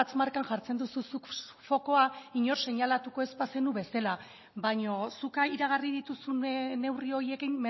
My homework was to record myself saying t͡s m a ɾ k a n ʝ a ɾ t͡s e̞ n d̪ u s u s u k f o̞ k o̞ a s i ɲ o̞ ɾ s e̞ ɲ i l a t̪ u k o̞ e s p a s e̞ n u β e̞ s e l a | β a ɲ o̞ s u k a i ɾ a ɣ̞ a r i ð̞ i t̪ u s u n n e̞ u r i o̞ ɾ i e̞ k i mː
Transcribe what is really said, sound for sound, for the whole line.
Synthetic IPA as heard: t͡s m a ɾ k a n ʝ a ɾ t͡s e̞ n d̪ u s u s u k f o̞ k o̞ a i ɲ o̞ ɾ s e̞ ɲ a l a t̪ u k o̞ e s p a s e̞ n u β e̞ s e l a | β a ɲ o̞ s u k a i ɾ a ɣ̞ a r i ð̞ i t̪ u s u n n e̞ w r i o̞ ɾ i e̞ k i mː